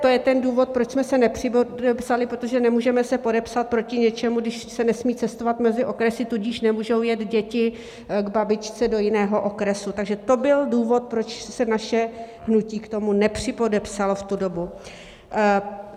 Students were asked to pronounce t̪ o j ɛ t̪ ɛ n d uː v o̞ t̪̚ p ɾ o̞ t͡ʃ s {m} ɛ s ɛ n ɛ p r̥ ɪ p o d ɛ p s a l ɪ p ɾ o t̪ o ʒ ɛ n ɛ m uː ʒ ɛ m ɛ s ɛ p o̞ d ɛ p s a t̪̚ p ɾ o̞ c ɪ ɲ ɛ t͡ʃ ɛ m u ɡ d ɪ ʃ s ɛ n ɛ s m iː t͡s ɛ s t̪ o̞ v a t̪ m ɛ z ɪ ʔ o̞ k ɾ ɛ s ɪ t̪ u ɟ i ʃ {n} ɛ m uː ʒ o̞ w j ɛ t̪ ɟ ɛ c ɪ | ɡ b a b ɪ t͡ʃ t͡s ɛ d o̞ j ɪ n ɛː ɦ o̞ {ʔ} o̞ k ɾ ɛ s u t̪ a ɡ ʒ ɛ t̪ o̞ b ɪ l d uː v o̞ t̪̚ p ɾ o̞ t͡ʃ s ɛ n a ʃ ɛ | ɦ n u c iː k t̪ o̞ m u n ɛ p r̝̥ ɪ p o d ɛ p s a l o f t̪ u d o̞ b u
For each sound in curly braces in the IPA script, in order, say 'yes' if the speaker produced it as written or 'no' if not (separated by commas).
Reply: yes, yes, yes